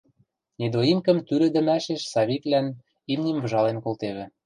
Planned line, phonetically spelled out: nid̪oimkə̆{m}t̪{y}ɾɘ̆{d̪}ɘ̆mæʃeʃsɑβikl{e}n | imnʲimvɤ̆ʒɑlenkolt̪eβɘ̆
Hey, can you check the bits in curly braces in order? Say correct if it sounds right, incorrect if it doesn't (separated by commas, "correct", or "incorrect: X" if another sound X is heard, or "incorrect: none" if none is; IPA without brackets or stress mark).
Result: correct, correct, correct, incorrect: æ